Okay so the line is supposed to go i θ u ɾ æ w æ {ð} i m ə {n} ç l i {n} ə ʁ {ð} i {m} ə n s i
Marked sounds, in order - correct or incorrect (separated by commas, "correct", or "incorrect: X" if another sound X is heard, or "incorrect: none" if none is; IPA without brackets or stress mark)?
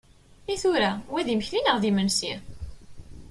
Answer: correct, incorrect: none, correct, correct, correct